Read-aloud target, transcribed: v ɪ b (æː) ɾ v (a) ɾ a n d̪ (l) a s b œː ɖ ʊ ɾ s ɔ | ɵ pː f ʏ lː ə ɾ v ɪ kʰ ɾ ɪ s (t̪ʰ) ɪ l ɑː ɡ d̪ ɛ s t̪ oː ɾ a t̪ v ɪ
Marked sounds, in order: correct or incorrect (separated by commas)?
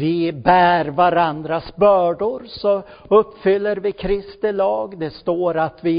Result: correct, correct, incorrect, incorrect